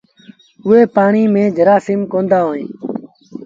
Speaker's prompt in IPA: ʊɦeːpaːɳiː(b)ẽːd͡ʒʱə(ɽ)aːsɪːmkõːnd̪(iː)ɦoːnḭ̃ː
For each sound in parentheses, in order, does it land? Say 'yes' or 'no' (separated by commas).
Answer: no, no, no